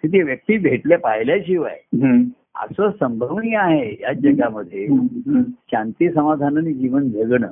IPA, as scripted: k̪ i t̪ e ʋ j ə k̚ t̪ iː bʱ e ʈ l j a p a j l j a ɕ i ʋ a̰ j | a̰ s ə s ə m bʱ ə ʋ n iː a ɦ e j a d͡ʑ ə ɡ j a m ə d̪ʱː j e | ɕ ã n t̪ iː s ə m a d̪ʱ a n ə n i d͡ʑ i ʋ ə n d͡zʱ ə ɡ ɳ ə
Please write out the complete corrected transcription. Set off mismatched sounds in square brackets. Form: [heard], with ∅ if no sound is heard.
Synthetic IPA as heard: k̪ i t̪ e ʋ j ə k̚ t̪ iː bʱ e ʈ l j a p a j l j a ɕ i ʋ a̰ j | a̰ s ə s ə m bʱ ə ʋ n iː a ɦ e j a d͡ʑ ə ɡ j a m ə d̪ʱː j e | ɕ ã n t̪ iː s ə m a d̪ʱ a n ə n i d͡ʑ i ʋ ə n d͡zʱ ə ɡ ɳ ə